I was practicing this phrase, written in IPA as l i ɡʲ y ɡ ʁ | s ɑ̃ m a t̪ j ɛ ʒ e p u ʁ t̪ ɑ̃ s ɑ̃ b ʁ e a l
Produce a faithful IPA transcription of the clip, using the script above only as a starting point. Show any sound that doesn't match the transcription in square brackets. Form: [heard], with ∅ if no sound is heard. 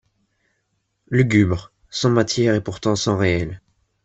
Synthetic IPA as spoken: l [y] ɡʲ y [b] ʁ | s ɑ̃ m a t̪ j ɛ [ʁ] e p u ʁ t̪ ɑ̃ s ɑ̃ [∅] ʁ e [ɛ] l